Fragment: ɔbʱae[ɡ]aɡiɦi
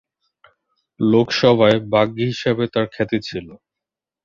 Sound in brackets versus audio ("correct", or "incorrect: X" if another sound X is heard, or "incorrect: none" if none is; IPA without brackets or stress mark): incorrect: b